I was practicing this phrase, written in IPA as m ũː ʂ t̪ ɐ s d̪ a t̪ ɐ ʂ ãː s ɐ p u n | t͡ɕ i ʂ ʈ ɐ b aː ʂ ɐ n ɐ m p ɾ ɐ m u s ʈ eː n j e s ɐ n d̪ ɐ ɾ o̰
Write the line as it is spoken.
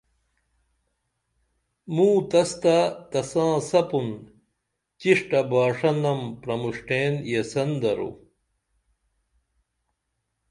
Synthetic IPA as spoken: m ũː t̪ ɐ s t̪ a t̪ ɐ s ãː s ɐ p u n | t͡ɕ i ʂ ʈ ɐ b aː ʂ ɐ n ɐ m p ɾ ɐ m u ʂ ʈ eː n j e s ɐ n d̪ ɐ ɾ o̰